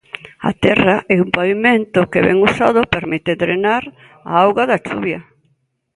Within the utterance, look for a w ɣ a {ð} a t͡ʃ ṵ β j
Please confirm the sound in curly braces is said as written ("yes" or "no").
yes